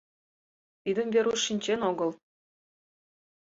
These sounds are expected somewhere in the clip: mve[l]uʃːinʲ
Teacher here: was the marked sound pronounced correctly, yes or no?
no